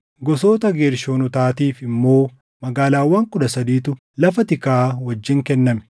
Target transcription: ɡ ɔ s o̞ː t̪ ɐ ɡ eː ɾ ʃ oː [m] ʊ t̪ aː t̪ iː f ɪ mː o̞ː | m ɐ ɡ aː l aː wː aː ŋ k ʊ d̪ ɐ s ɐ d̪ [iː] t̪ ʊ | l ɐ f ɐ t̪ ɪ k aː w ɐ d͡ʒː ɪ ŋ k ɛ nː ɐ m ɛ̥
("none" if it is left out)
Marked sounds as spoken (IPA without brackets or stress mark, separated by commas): n, iː